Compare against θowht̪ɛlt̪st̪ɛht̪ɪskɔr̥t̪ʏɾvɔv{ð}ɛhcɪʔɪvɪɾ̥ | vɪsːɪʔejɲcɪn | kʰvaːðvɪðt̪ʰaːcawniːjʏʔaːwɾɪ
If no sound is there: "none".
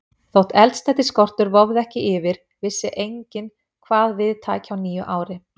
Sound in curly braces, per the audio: ð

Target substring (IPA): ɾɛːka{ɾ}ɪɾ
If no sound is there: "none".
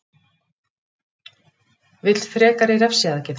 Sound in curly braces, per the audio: ɾ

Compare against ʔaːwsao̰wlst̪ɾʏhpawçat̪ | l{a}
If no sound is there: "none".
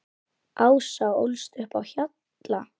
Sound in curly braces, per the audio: a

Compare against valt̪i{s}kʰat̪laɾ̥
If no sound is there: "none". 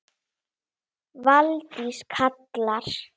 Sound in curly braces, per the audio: s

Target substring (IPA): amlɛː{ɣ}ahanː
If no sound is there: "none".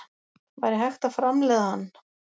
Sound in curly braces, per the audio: ð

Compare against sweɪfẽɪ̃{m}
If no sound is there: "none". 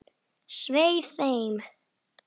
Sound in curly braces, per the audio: m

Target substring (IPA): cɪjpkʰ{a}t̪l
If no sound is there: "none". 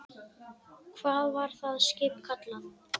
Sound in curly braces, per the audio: a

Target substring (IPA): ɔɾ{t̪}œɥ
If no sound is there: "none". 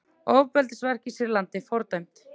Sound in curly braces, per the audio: t̪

